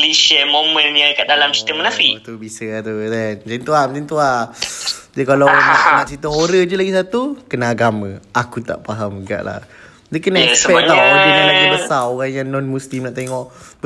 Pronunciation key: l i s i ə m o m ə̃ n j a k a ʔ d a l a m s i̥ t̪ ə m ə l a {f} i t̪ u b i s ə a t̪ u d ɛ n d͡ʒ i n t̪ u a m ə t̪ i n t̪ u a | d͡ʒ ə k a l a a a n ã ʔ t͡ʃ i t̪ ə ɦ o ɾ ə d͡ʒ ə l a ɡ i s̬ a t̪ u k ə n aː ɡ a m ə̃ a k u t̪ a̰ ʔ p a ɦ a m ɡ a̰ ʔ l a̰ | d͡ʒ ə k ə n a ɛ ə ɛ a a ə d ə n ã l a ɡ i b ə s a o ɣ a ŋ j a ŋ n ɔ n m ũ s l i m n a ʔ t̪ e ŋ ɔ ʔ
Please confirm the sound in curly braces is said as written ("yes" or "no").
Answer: yes